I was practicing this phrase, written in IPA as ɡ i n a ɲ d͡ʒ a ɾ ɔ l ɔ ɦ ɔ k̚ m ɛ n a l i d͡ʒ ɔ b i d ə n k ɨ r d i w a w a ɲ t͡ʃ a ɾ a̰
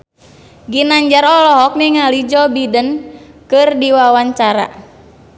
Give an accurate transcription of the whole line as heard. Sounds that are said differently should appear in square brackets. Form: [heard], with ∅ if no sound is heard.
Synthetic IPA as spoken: ɡ i n a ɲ d͡ʒ a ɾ ɔ l ɔ ɦ ɔ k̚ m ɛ [ŋ] a l i d͡ʒ ɔ b i d ə n k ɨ r d i w a w a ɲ t͡ʃ a ɾ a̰